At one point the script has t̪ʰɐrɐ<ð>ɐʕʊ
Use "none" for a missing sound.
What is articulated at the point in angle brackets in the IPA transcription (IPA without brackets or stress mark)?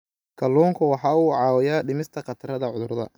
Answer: ð